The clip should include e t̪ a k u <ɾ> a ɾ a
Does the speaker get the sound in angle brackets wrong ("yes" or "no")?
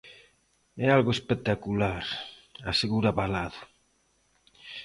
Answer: yes